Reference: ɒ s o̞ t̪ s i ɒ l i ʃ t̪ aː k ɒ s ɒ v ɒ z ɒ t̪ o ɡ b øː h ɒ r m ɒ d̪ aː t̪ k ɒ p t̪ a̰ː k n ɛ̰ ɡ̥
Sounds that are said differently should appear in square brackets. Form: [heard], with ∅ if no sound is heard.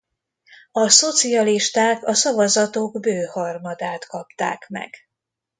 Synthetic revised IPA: ɒ s o̞ t̪ s i ɒ l i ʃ t̪ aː k ɒ s ɒ v ɒ z ɒ t̪ o ɡ b øː h ɒ r m ɒ d̪ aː t̪ k ɒ p t̪ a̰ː k [m] ɛ̰ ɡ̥